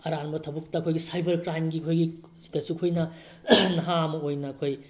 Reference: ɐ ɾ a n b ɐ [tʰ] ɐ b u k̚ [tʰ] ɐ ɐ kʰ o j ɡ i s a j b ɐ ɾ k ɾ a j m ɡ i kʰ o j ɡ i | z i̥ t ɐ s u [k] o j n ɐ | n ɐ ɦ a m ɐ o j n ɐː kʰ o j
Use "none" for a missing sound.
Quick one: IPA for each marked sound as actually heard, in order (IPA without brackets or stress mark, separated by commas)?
tʰ, t, kʰ